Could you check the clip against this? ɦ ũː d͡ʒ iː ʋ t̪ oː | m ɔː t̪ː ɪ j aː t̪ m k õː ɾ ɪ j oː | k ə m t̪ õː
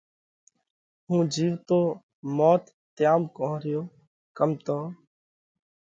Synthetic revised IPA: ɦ ũː d͡ʒ iː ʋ t̪ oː | m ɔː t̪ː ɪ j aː m k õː ɾ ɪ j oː | k ə m t̪ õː